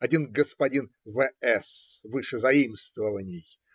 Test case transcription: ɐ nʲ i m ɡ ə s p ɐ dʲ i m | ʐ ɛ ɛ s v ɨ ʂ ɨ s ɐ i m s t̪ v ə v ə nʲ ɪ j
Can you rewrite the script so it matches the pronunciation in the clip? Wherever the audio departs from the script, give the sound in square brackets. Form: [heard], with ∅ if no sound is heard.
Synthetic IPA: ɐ [dʲ] i [n] ɡ ə s p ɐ dʲ i [n] | [v] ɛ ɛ s v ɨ ʂ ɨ [z] ɐ i m s t̪ v ə v ə nʲ ɪ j